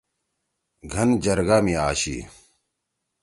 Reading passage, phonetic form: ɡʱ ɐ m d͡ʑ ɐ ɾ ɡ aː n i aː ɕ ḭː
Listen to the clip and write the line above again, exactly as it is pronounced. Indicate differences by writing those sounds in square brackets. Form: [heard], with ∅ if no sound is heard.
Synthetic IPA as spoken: ɡʱ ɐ [n] d͡ʑ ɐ ɾ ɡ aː [m] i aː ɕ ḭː